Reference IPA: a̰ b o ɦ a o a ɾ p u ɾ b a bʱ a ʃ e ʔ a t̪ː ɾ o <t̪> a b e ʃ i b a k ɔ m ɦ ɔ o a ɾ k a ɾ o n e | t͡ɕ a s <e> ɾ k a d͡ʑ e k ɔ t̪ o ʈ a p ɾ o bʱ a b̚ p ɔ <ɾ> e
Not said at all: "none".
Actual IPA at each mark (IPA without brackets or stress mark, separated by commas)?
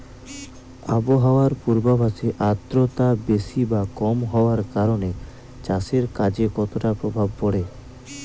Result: t̪, e, ɽ